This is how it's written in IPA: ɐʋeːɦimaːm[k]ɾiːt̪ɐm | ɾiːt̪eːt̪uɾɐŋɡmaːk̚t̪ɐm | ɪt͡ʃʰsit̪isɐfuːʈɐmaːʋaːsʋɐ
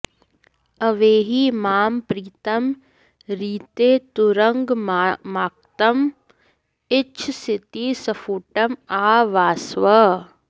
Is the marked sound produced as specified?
no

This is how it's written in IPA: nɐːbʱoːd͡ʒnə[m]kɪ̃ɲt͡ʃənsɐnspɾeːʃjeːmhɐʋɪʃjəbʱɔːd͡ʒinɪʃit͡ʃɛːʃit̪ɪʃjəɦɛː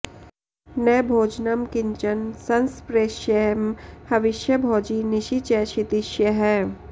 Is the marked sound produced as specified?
yes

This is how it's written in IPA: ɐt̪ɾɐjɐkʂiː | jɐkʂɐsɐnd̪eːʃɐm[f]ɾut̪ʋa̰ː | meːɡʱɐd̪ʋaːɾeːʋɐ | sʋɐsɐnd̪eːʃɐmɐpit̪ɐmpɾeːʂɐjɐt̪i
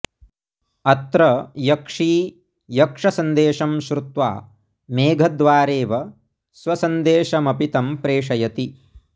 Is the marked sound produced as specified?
no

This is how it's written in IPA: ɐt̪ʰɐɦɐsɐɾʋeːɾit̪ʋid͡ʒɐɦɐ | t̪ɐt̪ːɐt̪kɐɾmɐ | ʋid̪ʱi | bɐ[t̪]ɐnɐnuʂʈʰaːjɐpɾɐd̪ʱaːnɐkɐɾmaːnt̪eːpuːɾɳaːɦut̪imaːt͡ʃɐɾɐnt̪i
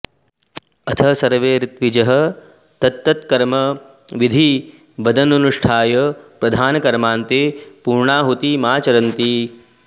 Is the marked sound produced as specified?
no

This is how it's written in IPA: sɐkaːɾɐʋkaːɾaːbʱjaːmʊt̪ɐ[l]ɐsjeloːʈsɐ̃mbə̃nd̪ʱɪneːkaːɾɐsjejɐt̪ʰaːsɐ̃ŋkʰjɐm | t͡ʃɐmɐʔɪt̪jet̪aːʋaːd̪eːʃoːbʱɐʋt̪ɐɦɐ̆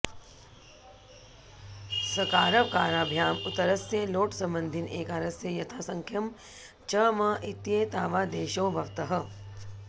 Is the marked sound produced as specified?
no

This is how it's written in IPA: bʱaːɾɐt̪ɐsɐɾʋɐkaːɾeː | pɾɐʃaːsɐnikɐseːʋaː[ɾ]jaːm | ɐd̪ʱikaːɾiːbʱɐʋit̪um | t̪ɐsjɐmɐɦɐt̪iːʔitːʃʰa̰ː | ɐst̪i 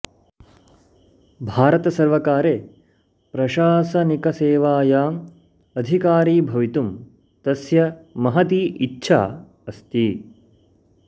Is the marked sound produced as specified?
no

